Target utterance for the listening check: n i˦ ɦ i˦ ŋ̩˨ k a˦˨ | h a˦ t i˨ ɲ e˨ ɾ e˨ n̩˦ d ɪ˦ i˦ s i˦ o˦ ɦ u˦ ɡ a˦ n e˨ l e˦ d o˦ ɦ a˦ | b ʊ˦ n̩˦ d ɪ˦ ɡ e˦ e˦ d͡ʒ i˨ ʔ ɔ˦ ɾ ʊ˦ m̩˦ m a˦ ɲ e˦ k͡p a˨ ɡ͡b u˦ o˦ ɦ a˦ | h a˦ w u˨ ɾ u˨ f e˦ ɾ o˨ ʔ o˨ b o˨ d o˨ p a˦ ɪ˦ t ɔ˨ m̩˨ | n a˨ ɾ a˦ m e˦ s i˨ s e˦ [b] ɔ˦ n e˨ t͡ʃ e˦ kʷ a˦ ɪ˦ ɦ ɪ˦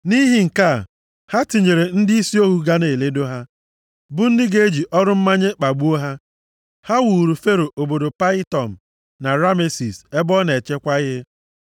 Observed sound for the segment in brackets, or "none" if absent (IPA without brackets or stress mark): b